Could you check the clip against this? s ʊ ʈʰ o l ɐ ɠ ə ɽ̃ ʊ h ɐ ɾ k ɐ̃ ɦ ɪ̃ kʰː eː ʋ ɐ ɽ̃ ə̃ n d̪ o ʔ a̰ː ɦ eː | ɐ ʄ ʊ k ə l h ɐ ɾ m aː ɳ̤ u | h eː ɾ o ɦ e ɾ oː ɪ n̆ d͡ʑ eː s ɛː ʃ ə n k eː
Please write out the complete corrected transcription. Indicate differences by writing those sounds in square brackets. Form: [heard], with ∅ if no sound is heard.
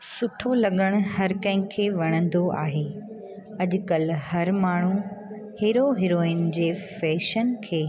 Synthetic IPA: s ʊ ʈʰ o l ɐ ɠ ə ɽ̃ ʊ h ɐ ɾ k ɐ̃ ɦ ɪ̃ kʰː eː ʋ ɐ ɽ̃ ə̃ n d̪ o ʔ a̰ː ɦ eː | ɐ ʄ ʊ k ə l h ɐ ɾ m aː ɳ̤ u | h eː ɾ o ɦ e ɾ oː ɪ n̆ d͡ʑ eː [f] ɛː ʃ ə n [kʰ] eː